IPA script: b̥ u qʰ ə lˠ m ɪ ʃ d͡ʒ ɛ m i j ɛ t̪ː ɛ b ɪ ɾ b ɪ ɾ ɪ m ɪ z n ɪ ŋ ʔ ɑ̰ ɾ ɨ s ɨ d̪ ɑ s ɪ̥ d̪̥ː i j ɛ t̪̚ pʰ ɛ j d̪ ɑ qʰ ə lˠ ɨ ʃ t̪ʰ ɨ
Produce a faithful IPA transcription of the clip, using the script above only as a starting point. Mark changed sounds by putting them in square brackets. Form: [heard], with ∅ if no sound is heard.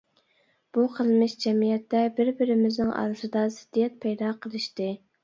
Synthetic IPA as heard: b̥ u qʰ ə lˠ m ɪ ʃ d͡ʒ ɛ m i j ɛ t̪ː ɛ b ɪ ɾ b ɪ ɾ ɪ m ɪ z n ɪ ŋ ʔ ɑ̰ ɾ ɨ s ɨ d̪ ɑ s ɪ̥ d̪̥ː i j ɛ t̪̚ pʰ ɛ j d̪ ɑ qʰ ə lˠ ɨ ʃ [t̪] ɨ